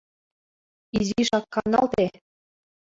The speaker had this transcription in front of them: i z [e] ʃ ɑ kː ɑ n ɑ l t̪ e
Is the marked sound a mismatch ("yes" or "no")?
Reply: yes